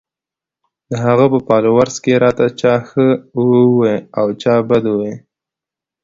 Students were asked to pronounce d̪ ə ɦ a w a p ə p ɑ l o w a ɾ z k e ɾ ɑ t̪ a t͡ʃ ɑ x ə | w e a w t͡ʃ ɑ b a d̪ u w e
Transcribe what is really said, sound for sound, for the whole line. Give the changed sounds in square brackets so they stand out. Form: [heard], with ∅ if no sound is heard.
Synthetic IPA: d̪ ə ɦ a [ɣ] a p ə p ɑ l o w a ɾ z k e ɾ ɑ t̪ a t͡ʃ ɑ x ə | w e a w t͡ʃ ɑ b a d̪ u w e

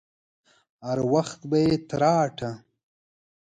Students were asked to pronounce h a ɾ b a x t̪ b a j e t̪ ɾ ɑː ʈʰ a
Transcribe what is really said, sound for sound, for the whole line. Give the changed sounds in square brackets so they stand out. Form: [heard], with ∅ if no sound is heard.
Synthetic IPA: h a ɾ [w] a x t̪ b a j e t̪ ɾ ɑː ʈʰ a

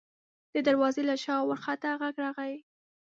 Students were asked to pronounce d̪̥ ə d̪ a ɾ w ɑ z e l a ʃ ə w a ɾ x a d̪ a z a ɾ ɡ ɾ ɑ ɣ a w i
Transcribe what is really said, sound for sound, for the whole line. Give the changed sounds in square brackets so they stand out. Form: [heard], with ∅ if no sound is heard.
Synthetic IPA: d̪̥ ə d̪ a ɾ w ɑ z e l a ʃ [ɑ] w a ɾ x a [t̪] a [ɣ] a [∅] ɡ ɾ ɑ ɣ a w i

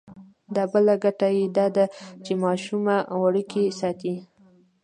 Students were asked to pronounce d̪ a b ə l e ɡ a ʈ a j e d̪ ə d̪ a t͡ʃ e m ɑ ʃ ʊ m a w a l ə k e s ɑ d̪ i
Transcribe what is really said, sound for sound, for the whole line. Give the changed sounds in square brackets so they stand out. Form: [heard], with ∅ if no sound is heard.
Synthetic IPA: d̪ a b ə l [a] ɡ a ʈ a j e d̪ [ɑ] d̪ a t͡ʃ e m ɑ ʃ [u] m a w a [ɽ] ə k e s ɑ [t̪] i

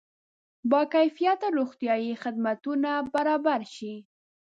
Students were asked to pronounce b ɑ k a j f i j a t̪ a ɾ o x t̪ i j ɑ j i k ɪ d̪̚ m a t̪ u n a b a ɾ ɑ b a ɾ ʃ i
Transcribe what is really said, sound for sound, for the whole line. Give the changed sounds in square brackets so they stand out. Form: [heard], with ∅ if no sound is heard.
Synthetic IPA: b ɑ k a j f i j a t̪ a ɾ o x t̪ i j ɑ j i [x] ɪ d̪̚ m a t̪ u n a b a ɾ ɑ b a ɾ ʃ i

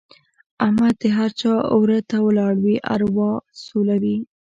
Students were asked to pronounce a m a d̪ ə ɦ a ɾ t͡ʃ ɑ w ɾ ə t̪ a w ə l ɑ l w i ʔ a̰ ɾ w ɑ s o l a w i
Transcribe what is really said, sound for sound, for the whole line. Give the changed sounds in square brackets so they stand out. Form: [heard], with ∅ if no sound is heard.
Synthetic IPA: a m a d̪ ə ɦ a ɾ t͡ʃ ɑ w ɾ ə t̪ a w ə l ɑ [ɽ] w i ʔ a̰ ɾ w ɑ s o l a w i

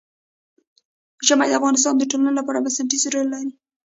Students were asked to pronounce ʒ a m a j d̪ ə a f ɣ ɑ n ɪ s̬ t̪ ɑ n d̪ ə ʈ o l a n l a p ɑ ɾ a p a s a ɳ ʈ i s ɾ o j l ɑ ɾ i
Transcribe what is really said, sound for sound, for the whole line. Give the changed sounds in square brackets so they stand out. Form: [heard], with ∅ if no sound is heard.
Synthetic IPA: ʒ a m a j d̪ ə a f ɣ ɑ n ɪ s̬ t̪ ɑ n d̪ ə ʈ o l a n l a p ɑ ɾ a [b] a s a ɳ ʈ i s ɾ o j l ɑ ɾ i

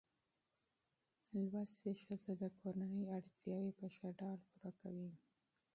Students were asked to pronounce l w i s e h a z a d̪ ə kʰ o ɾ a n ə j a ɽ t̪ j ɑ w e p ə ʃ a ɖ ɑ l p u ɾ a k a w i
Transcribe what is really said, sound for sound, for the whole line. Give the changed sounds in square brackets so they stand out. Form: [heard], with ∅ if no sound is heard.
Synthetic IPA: l w [a] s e [ʃ] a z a d̪ ə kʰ o ɾ a n ə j a ɽ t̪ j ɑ w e p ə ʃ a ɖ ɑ l p u ɾ a k a w i

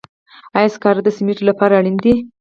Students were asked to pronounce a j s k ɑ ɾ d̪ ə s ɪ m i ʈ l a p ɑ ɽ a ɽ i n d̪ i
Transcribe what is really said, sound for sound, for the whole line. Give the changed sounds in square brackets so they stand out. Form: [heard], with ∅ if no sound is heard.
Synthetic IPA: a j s k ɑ ɾ d̪ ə s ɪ m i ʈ l a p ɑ [ɾ] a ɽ i n d̪ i

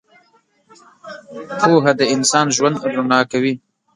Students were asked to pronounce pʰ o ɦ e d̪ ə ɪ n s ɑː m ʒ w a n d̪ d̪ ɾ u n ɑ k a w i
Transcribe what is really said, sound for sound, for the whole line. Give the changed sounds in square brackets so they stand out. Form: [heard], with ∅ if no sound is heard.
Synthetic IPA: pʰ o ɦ [a] d̪ ə ɪ n s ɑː [n] ʒ w a n d̪ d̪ ɾ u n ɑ k a w i

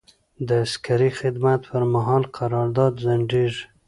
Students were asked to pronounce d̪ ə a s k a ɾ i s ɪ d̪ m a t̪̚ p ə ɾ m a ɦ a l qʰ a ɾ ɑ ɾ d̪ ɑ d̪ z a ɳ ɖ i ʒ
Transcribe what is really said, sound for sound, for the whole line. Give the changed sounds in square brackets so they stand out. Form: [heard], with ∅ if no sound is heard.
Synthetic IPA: d̪ ə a s k a ɾ i [x] ɪ d̪ m a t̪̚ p ə ɾ m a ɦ [ɑ] l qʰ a ɾ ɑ ɾ d̪ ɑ d̪ z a ɳ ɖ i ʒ

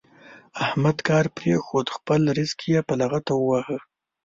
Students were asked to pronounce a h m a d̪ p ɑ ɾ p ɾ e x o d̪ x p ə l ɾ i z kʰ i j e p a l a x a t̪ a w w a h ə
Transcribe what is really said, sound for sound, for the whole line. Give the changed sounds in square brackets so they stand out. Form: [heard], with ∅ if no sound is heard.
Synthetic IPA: a h m a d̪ [k] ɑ ɾ p ɾ e x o d̪ x p ə l ɾ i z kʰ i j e p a l a [ɣ] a t̪ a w w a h ə

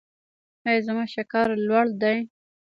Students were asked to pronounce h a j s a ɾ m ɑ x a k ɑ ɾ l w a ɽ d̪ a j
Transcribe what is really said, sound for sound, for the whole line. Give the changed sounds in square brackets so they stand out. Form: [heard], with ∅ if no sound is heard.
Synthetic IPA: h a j [z] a [∅] m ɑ [ʃ] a k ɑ ɾ l w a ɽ d̪ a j

